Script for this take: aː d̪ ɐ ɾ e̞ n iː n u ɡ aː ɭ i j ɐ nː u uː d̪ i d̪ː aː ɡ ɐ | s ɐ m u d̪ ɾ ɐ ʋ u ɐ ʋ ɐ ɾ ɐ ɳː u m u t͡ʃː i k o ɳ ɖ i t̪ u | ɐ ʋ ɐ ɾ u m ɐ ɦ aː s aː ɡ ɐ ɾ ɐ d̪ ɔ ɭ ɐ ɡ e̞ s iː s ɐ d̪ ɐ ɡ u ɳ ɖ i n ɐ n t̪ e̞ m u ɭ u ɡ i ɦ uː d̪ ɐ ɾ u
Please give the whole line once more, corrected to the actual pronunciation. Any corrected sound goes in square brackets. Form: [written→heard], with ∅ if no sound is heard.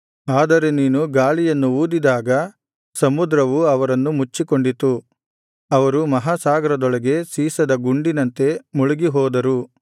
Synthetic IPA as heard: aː d̪ ɐ ɾ e̞ n iː n u ɡ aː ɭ i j ɐ nː u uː d̪ i [d̪ː→d̪] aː ɡ ɐ | s ɐ m u d̪ ɾ ɐ ʋ u ɐ ʋ ɐ ɾ ɐ [ɳː→nː] u m u t͡ʃː i k o ɳ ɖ i t̪ u | ɐ ʋ ɐ ɾ u m ɐ ɦ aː s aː ɡ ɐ ɾ ɐ d̪ ɔ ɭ ɐ ɡ e̞ s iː s ɐ d̪ ɐ ɡ u ɳ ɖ i n ɐ n t̪ e̞ m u ɭ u ɡ i ɦ [uː→ɔː] d̪ ɐ ɾ u